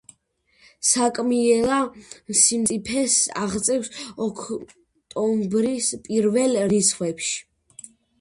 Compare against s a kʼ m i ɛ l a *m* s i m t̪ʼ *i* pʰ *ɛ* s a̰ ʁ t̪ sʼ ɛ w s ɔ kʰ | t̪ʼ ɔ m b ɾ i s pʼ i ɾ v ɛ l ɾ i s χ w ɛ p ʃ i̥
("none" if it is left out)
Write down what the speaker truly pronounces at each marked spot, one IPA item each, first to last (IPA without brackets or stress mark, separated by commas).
m, i, ɛ